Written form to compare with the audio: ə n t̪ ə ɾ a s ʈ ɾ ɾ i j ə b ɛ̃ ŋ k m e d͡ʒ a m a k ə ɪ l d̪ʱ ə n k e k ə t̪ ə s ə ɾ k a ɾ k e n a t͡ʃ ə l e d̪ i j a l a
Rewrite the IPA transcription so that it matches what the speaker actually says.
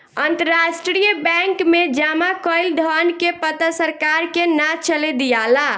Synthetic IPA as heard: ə n t̪ ə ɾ a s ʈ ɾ ɾ i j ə b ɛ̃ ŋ k m e d͡ʒ a m a k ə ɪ l d̪ʱ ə n k e p ə t̪ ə s ə ɾ k a ɾ k e n a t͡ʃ ə l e d̪ i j a l a